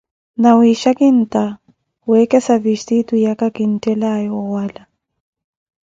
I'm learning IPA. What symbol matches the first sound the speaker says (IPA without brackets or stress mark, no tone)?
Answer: n